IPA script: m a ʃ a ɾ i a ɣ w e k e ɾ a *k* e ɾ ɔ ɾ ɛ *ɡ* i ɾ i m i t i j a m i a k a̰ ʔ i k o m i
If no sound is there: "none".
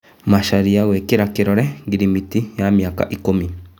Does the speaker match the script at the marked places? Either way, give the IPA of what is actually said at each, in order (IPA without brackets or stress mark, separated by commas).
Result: k, ɡ